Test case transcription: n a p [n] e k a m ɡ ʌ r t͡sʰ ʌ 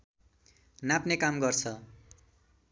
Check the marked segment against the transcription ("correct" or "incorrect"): correct